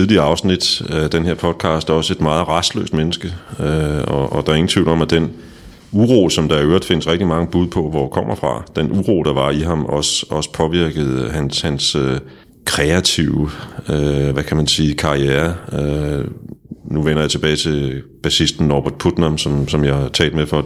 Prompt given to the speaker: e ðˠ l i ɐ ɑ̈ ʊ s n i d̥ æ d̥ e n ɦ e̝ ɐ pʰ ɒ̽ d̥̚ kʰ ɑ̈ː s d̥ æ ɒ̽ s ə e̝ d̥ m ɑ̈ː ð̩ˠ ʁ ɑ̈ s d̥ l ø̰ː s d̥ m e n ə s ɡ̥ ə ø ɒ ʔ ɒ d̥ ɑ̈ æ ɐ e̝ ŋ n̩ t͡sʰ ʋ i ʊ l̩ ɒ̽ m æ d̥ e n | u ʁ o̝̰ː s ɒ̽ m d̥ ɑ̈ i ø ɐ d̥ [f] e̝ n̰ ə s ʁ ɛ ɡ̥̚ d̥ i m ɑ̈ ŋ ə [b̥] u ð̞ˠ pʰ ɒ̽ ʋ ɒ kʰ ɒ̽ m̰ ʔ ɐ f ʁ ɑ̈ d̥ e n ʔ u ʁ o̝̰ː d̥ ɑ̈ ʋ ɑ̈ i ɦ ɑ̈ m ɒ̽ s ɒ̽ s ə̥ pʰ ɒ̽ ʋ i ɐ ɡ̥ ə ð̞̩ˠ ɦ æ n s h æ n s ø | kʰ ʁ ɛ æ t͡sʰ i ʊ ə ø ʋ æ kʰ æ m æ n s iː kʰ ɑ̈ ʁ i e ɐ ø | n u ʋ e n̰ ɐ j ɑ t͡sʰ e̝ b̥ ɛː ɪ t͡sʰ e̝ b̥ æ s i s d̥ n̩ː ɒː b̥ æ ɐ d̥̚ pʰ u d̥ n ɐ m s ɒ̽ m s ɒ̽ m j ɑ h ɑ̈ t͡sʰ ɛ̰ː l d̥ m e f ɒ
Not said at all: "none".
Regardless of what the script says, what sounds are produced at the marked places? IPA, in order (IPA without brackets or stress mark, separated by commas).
f, b̥